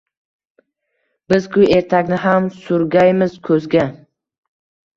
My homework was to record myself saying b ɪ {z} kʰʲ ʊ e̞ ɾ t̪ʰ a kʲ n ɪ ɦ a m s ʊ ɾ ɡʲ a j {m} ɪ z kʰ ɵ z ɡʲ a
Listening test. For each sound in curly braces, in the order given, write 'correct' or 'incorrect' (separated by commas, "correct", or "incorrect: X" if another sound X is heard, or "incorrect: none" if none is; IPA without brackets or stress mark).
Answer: correct, correct